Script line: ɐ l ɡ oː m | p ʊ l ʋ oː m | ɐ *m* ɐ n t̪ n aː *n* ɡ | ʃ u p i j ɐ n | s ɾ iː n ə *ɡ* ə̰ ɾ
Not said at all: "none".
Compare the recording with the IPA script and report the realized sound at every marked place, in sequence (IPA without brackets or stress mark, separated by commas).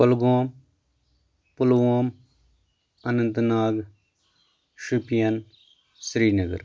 n, none, ɡ